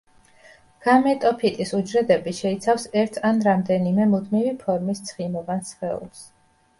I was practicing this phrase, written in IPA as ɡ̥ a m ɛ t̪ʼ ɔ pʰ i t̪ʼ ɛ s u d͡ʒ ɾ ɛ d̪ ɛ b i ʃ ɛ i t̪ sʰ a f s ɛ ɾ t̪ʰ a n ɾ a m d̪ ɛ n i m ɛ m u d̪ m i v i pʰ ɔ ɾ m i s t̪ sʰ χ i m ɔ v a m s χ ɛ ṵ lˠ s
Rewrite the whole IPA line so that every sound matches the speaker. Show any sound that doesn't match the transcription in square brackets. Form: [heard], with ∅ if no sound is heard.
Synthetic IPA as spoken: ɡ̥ a m ɛ t̪ʼ ɔ pʰ i t̪ʼ [i] s u d͡ʒ ɾ ɛ d̪ ɛ b i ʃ ɛ i t̪ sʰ a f s ɛ ɾ t̪ʰ a n ɾ a m d̪ ɛ n i m ɛ m u d̪ m i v i pʰ ɔ ɾ m i s t̪ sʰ χ i m ɔ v a [n] s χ ɛ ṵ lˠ s

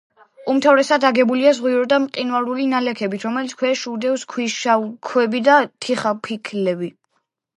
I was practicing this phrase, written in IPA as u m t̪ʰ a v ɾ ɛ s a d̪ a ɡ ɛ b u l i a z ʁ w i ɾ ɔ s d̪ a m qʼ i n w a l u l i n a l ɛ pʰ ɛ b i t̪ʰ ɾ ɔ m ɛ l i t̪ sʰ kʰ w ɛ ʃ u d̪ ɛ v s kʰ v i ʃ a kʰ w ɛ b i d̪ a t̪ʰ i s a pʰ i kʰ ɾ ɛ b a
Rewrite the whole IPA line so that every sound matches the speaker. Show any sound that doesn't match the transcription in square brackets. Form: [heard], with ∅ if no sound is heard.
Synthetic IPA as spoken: u m t̪ʰ a v ɾ ɛ s a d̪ a ɡ ɛ b u l i a z ʁ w i ɾ ɔ [∅] d̪ a m qʼ i n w a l u l i n a l ɛ [kʰ] ɛ b i t̪ʰ ɾ ɔ m ɛ l i t̪ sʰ kʰ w ɛ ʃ u d̪ ɛ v s kʰ [w] i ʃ a kʰ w ɛ b i d̪ a t̪ʰ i [χ] a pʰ i kʰ [l] ɛ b [i]

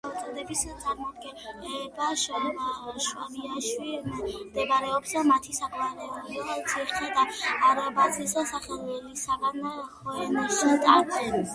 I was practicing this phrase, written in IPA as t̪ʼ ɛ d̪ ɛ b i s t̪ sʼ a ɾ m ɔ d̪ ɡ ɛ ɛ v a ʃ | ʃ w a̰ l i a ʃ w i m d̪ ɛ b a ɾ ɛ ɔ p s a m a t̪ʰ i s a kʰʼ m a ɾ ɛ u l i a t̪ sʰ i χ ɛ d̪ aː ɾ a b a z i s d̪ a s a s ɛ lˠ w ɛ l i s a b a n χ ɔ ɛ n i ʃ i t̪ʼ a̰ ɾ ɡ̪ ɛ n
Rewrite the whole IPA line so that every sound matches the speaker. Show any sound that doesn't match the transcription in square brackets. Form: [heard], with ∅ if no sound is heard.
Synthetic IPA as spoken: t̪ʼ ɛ d̪ ɛ b i s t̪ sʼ a ɾ m ɔ d̪ ɡ ɛ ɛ [b] a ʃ | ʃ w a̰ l i a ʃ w i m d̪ ɛ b a ɾ ɛ ɔ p s a m a t̪ʰ i s a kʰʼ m a ɾ ɛ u l i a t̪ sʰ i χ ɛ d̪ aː ɾ a b a z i s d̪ a s a [χ] ɛ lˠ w ɛ l i s a [ɡ] a n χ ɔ ɛ n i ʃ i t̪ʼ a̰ ɾ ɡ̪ ɛ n

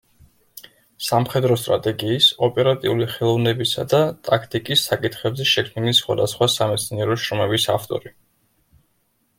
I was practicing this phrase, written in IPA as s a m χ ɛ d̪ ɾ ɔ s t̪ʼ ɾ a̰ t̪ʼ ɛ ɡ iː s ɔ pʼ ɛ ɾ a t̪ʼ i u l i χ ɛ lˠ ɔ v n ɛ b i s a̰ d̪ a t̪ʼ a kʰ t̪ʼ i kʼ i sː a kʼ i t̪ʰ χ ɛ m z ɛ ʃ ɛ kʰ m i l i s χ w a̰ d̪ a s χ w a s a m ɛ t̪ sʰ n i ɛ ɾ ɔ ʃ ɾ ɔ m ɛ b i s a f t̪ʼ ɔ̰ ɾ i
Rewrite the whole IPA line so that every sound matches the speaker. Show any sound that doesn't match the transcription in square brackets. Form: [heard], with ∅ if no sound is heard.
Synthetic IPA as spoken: s a m χ ɛ d̪ ɾ ɔ s t̪ʼ ɾ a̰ t̪ʼ ɛ ɡ iː s ɔ pʼ ɛ ɾ a t̪ʼ i u l i χ ɛ lˠ ɔ v n ɛ b i s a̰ d̪ a t̪ʼ a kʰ t̪ʼ i kʼ i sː a kʼ i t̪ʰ χ ɛ [b] z ɛ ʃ ɛ kʰ m i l i s χ w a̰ d̪ a s χ w a s a m ɛ t̪ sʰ n i ɛ ɾ ɔ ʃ ɾ ɔ m ɛ b i s a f t̪ʼ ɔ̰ ɾ i

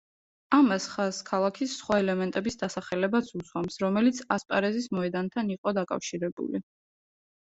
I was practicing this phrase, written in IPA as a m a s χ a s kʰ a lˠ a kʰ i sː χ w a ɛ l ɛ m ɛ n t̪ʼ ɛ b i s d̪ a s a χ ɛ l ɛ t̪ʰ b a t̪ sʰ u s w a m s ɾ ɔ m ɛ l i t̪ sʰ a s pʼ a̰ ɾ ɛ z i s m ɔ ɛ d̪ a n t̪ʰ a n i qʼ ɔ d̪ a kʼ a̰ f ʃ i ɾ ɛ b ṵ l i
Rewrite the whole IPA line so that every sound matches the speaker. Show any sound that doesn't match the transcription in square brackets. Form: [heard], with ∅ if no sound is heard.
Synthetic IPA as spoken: a m a s χ a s kʰ a lˠ a kʰ i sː χ w a ɛ l ɛ m ɛ n t̪ʼ ɛ b i s d̪ a s a χ ɛ l ɛ [∅] b a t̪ sʰ u s w a m s ɾ ɔ m ɛ l i t̪ sʰ a s pʼ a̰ ɾ ɛ z i s m ɔ ɛ d̪ a n t̪ʰ a n i qʼ ɔ d̪ a kʼ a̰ f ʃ i ɾ ɛ b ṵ l i

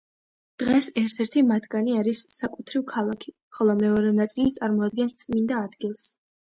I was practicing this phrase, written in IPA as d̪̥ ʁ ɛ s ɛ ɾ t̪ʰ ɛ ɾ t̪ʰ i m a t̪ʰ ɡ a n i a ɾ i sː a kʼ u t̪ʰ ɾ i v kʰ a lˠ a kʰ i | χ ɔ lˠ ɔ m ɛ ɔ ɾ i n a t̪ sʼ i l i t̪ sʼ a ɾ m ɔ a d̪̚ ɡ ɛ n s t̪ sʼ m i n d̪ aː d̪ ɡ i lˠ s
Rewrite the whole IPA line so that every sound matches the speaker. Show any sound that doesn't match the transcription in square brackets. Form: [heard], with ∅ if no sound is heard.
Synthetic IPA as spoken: d̪̥ ʁ ɛ s ɛ ɾ t̪ʰ ɛ ɾ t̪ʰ i m a t̪ʰ ɡ a n i a ɾ i sː a kʼ u t̪ʰ ɾ i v kʰ a lˠ a kʰ i | χ ɔ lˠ ɔ m ɛ ɔ ɾ [ɛ] n a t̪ sʼ i l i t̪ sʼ a ɾ m ɔ a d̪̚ ɡ ɛ n s t̪ sʼ m i n d̪ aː d̪ ɡ i lˠ s

